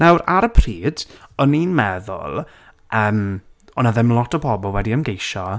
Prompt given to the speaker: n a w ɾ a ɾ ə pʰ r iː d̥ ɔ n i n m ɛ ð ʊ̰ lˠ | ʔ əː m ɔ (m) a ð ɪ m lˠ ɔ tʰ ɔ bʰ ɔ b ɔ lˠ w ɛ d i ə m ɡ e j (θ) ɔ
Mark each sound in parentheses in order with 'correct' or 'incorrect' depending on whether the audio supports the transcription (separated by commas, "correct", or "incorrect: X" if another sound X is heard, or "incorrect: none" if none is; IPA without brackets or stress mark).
incorrect: n, incorrect: ʃ